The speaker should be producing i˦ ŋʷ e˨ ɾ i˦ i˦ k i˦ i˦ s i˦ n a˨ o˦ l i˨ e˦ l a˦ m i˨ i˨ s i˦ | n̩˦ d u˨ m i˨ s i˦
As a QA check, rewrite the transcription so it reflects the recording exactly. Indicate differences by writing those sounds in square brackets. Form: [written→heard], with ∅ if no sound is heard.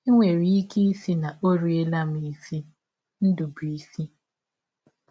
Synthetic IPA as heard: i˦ ŋʷ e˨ ɾ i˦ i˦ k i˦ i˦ s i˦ n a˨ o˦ [l→ɾ] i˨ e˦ l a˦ m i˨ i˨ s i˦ | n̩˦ d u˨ [m→b] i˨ s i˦